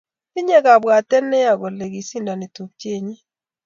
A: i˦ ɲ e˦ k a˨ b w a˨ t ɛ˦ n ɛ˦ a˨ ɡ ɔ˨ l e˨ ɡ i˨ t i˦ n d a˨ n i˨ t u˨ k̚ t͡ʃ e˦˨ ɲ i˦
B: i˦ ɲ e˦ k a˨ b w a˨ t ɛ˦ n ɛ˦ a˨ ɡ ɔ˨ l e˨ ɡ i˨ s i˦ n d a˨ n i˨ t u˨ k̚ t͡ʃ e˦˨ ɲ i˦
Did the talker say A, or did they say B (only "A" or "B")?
B